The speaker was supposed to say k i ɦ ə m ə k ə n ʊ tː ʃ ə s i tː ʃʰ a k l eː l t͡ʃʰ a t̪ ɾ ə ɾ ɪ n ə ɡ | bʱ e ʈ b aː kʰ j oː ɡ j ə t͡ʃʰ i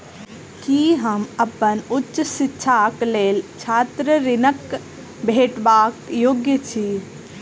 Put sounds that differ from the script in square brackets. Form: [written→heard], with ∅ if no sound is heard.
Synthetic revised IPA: k i ɦ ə m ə [k→p] ə n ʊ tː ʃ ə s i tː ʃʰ a k l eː l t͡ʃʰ a t̪ ɾ ə ɾ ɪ n ə [ɡ→k] | bʱ e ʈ b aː [kʰ→k] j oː ɡ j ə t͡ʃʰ i